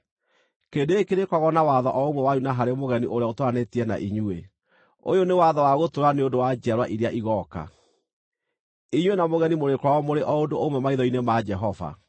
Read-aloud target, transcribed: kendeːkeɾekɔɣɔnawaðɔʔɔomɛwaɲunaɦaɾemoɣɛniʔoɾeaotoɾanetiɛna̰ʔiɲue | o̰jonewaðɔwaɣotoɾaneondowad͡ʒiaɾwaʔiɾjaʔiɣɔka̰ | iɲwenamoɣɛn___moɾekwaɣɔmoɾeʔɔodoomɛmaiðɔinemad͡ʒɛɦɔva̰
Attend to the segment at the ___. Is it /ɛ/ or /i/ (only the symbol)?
i